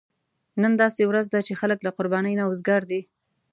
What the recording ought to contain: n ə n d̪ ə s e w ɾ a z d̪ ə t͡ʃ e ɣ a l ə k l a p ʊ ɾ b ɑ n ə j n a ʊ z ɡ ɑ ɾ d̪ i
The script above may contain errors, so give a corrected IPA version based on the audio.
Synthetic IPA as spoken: n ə n d̪ ɑ s e w ɾ a z d̪ a t͡ʃ e x a l ə k l a q ʊ ɾ b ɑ n ə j n a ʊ z ɡ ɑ ɾ d̪ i